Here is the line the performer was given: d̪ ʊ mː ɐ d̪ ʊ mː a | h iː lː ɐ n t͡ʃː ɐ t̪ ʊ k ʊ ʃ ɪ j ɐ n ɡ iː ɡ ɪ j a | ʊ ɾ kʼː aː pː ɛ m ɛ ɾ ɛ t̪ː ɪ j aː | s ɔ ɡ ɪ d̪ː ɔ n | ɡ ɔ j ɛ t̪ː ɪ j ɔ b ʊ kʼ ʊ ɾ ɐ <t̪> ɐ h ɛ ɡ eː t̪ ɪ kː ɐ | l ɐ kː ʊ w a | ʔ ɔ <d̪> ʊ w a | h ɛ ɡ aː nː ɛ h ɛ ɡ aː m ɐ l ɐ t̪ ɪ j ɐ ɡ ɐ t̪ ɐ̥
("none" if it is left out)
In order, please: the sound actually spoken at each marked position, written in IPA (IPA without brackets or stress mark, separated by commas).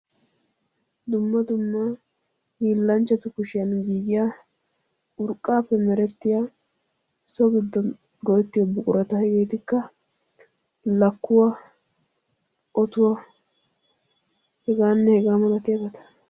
t̪, t̪